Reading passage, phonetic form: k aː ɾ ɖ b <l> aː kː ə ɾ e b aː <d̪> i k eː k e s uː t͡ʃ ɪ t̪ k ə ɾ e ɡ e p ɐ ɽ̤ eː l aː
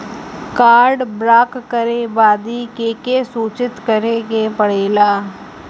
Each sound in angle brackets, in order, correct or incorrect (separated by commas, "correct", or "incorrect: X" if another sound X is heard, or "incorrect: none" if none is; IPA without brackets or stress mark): incorrect: ɾ, correct